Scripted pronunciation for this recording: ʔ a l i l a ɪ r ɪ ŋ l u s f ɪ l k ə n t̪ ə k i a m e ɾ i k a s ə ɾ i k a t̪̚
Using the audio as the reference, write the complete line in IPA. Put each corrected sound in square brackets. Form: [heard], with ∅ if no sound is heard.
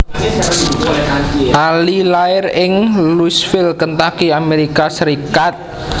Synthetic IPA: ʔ a l i l a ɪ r ɪ ŋ l u s f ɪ l k ə n t̪ [a] k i a m e ɾ i k a s ə ɾ i k a t̪̚